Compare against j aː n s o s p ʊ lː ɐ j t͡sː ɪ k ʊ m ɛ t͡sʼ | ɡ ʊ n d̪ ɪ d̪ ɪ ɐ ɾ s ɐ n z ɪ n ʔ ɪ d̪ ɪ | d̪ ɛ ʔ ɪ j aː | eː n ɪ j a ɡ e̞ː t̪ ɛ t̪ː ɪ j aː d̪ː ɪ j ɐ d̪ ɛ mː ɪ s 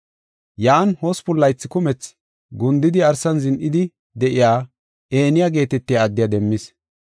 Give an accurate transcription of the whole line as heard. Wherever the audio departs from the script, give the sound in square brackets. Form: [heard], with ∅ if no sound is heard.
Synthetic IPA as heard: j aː n [h] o s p ʊ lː ɐ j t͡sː ɪ k ʊ m ɛ [t͡s] | ɡ ʊ n d̪ ɪ d̪ ɪ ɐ ɾ s ɐ n z ɪ n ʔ ɪ d̪ ɪ | d̪ ɛ ʔ ɪ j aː | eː n ɪ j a ɡ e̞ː t̪ ɛ t̪ː ɪ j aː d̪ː ɪ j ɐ d̪ ɛ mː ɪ s